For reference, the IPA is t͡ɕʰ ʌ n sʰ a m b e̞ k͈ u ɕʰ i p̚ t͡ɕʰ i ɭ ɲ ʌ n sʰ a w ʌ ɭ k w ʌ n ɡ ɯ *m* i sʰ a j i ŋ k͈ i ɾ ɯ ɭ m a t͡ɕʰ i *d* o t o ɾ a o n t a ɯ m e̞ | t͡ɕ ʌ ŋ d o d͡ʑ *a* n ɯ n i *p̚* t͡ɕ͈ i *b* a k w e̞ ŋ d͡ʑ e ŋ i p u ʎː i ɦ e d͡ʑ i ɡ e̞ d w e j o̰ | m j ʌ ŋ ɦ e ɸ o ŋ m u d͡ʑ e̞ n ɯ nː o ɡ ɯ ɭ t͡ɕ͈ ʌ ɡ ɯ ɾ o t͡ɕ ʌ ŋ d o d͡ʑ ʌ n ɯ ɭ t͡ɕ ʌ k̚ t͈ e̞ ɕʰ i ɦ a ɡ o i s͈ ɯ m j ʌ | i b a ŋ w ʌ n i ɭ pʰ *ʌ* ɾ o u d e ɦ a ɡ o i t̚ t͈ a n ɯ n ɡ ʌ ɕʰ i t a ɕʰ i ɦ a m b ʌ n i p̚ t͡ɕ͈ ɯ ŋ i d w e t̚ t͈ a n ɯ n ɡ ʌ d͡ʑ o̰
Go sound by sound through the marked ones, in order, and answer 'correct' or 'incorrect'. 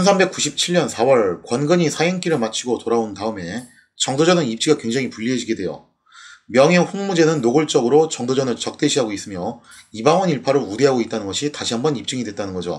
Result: incorrect, incorrect, incorrect, correct, incorrect, incorrect

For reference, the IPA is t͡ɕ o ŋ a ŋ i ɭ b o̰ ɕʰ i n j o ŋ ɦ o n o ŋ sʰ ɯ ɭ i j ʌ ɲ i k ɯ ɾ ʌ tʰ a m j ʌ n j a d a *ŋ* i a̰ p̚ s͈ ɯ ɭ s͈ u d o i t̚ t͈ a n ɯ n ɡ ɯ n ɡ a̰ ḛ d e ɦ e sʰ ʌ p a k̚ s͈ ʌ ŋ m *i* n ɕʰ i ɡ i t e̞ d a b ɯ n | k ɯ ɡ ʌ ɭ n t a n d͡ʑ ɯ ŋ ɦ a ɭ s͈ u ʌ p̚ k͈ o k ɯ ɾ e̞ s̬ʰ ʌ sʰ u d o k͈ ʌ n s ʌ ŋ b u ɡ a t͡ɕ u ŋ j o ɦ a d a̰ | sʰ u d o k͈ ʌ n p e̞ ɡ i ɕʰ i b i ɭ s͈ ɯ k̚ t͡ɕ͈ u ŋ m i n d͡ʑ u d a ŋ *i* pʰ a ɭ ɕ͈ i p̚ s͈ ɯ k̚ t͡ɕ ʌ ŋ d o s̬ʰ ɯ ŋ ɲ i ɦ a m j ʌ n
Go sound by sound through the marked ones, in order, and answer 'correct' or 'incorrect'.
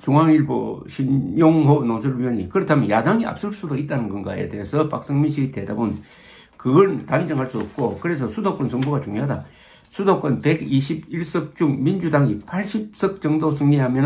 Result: correct, correct, correct

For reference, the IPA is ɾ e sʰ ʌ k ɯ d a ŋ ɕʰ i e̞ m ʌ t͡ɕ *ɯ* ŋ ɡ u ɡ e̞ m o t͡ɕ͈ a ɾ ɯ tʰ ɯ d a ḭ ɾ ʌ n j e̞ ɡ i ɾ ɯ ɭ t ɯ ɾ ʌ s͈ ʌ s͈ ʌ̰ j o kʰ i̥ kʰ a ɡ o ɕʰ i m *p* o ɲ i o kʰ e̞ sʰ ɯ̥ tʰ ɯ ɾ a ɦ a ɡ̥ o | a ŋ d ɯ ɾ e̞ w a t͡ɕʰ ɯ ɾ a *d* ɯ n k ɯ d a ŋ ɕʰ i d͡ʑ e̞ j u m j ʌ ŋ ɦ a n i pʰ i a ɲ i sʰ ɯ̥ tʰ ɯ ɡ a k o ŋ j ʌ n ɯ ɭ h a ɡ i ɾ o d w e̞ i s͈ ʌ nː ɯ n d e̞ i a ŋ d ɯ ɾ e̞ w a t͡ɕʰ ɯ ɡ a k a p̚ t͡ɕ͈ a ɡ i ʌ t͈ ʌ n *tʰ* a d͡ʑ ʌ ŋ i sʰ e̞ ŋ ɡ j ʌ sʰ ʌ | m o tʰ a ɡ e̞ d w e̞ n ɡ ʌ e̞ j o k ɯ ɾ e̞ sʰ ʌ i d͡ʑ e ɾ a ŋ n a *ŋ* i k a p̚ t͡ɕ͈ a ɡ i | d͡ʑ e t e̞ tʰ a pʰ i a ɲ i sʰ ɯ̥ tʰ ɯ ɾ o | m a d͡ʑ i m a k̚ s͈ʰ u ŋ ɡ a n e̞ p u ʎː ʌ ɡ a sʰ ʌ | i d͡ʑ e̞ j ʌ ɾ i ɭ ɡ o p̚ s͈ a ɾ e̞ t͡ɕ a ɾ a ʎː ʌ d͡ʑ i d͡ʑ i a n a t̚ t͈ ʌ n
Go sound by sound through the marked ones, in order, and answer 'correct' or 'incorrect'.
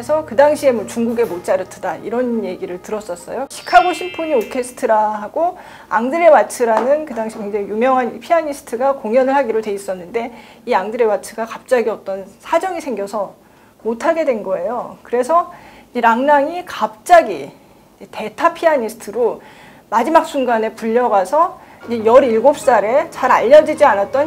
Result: incorrect, incorrect, incorrect, incorrect, correct

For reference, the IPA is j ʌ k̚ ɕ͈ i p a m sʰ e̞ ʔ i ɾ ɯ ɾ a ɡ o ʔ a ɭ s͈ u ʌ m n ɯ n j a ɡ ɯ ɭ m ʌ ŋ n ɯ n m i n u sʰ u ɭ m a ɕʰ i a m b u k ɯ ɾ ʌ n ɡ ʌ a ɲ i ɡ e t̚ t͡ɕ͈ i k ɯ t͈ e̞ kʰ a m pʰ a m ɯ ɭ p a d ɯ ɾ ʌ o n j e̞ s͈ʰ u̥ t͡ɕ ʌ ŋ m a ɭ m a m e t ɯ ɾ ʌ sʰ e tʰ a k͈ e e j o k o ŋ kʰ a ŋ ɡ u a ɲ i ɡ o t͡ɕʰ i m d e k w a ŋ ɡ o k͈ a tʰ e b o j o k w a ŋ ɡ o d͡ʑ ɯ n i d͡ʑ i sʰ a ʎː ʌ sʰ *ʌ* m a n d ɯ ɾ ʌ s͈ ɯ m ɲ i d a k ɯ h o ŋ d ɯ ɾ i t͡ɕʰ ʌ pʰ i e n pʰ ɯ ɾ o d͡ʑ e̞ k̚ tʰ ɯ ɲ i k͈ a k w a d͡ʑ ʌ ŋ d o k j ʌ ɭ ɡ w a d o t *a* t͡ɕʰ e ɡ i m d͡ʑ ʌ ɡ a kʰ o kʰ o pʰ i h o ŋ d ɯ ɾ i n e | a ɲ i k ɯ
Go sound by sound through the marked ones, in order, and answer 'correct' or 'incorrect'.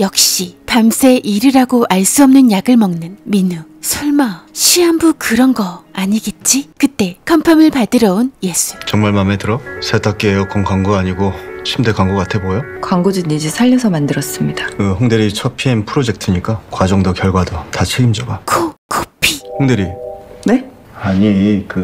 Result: correct, correct

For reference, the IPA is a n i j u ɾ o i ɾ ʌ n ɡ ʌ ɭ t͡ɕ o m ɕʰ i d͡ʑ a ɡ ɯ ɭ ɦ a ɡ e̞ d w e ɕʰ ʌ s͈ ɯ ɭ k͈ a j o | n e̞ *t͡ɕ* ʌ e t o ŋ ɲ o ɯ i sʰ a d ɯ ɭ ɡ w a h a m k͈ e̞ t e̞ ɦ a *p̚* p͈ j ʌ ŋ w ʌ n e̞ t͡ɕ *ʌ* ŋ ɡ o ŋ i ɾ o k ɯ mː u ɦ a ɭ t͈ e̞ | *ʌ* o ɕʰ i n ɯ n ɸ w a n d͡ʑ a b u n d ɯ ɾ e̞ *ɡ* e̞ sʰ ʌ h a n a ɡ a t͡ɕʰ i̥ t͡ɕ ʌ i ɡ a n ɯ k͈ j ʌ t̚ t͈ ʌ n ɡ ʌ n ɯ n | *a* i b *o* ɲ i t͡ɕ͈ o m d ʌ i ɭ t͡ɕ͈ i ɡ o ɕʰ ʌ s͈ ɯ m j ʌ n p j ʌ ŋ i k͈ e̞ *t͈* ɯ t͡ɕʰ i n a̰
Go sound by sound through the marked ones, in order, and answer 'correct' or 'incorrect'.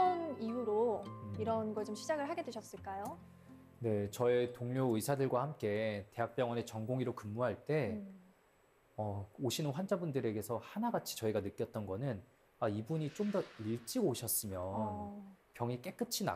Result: correct, incorrect, correct, correct, correct, correct, incorrect, incorrect

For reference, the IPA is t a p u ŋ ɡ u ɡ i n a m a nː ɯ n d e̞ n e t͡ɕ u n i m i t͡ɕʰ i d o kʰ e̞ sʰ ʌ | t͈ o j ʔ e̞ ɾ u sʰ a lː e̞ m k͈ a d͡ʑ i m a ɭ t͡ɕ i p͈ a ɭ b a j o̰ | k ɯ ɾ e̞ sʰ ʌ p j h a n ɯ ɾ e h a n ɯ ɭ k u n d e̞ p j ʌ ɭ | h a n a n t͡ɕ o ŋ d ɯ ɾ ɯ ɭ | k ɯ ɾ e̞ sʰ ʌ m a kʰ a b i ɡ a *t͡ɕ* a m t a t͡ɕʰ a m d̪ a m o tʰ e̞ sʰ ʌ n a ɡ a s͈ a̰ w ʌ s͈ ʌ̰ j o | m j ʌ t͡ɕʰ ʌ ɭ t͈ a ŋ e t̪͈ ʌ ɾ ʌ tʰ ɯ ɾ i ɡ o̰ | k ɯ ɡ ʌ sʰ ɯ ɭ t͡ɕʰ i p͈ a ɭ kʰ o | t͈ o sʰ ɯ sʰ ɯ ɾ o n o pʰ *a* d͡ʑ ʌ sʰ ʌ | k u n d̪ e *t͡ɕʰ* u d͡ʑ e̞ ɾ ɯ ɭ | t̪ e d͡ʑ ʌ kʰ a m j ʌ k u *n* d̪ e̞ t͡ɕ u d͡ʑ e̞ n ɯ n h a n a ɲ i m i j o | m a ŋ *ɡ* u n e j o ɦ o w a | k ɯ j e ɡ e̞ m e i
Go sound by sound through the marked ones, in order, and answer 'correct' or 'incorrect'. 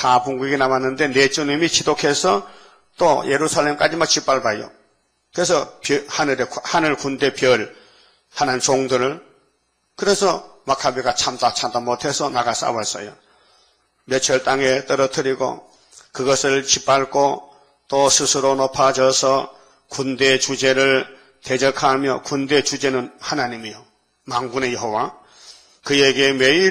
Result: incorrect, correct, incorrect, correct, correct

